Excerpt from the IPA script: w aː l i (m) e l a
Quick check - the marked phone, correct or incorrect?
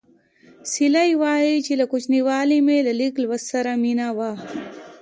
correct